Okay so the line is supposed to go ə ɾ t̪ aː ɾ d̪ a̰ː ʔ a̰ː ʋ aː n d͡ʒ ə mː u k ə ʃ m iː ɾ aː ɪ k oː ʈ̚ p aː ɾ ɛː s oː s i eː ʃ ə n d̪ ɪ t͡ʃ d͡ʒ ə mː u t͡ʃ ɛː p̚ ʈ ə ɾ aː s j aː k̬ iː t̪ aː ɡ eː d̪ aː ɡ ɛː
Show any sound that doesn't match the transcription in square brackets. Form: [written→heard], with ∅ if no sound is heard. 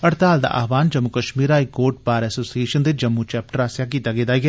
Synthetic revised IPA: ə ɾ t̪ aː [ɾ→l] d̪ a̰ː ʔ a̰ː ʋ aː n d͡ʒ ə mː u k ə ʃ m iː ɾ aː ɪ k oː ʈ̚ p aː ɾ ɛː s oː s i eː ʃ ə n d̪ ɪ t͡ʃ d͡ʒ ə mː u t͡ʃ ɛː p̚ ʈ ə ɾ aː s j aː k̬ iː t̪ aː ɡ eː d̪ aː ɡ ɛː